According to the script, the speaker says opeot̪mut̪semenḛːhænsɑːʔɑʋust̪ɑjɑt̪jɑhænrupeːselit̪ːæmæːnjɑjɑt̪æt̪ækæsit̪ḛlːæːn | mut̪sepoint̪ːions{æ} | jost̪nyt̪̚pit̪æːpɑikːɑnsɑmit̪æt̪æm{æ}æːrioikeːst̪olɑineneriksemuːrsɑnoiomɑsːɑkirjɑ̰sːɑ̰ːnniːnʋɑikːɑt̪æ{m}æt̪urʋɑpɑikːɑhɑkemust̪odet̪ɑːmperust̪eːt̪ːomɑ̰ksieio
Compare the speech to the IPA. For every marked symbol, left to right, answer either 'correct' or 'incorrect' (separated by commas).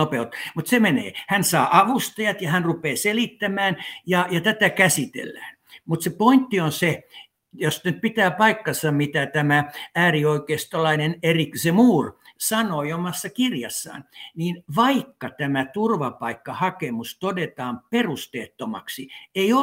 incorrect, correct, correct